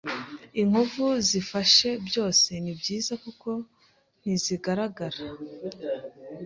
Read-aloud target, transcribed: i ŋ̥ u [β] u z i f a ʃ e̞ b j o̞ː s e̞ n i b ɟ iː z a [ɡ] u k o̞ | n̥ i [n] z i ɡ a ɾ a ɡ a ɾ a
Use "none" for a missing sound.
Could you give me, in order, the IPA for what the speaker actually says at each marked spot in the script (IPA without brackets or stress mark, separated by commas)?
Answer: v, k, none